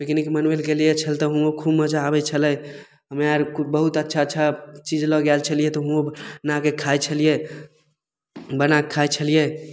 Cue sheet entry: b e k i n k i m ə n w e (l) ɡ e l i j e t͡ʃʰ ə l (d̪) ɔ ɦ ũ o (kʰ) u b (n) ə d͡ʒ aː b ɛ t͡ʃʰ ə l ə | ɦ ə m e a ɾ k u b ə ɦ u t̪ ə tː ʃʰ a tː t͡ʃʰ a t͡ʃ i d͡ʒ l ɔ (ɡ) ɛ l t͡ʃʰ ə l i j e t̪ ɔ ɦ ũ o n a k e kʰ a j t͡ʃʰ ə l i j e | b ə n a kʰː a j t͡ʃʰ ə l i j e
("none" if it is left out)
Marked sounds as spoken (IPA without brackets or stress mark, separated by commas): l, t̪, kʰ, m, ɡ